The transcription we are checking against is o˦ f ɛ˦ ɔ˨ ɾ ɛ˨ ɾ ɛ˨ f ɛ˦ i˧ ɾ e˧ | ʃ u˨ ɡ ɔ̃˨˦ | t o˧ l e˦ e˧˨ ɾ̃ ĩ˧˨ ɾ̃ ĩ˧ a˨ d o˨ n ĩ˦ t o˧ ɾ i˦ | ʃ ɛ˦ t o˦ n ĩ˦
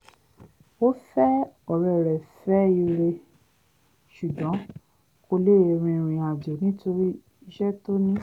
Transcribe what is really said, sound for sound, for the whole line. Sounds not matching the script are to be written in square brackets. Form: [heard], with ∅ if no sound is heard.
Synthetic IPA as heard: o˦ f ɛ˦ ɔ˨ ɾ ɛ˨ ɾ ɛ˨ f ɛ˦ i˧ ɾ e˧ | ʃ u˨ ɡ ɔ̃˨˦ | [k] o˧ l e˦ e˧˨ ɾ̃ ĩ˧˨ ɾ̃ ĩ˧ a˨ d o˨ n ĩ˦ t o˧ ɾ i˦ | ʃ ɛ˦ t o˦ n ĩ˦